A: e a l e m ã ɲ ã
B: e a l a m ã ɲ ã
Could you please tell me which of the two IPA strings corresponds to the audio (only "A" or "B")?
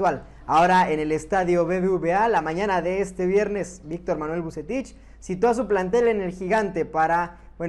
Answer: B